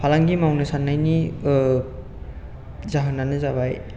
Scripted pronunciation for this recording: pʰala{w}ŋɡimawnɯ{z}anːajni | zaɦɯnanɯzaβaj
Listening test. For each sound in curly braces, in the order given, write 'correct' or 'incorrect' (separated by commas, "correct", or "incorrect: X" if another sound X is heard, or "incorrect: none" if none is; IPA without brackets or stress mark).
incorrect: none, incorrect: s